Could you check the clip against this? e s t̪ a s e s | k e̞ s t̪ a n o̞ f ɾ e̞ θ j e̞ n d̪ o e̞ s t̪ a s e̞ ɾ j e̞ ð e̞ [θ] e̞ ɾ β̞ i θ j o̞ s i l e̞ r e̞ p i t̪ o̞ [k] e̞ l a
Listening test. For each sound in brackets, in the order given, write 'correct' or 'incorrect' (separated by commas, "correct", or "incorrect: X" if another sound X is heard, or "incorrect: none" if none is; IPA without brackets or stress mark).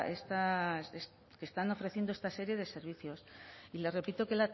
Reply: incorrect: s, correct